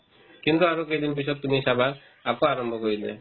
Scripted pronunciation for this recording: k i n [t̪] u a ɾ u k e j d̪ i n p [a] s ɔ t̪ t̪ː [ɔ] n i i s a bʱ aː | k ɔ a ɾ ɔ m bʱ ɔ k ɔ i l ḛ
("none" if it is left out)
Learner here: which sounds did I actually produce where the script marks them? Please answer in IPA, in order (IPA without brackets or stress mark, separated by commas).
t̪, i, u